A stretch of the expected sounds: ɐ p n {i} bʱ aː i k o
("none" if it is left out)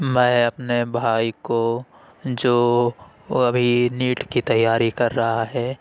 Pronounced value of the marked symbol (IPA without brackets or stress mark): e